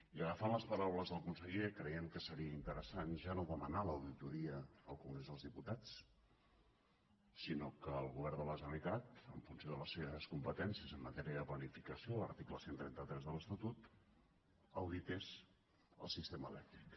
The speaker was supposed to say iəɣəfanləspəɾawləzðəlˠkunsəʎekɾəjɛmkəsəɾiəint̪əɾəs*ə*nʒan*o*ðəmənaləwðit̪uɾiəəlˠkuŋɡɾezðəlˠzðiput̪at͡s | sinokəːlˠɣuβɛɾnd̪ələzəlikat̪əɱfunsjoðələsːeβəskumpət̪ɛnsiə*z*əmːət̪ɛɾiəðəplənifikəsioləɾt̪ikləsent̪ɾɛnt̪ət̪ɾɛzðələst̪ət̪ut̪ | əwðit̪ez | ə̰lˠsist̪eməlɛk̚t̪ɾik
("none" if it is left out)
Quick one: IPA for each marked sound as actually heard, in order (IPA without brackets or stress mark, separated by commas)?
a, o, z